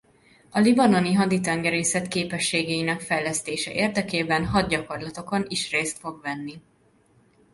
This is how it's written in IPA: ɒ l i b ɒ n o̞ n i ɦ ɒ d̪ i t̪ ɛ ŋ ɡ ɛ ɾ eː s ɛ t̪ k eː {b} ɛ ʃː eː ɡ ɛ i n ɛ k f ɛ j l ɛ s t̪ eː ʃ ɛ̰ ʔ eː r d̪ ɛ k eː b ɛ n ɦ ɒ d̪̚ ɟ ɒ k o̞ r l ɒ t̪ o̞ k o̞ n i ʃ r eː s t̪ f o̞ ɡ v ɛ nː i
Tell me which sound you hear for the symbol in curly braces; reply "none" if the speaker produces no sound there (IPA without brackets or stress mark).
p